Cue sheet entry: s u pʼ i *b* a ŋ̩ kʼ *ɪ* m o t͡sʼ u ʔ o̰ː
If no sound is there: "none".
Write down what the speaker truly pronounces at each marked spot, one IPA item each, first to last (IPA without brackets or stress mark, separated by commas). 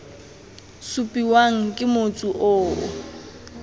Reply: w, ɪ